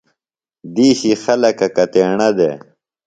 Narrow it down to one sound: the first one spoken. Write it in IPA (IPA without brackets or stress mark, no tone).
d̪